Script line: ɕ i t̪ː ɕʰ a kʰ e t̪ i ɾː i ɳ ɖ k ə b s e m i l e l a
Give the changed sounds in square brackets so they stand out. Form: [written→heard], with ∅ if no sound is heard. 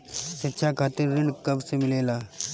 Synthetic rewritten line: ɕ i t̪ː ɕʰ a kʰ [e→a] t̪ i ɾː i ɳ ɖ k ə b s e m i l e l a